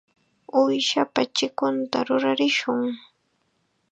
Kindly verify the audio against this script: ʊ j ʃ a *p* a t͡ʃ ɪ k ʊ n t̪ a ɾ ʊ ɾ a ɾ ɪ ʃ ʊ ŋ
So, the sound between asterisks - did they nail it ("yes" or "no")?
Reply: yes